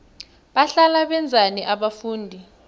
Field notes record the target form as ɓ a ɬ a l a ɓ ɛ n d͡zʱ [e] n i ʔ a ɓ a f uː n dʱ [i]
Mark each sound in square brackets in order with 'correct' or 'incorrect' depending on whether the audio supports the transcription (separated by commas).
incorrect, correct